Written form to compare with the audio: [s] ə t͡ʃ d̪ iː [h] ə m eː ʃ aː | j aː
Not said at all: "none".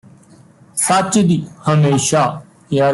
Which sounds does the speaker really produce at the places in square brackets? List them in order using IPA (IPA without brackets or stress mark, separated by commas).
s, h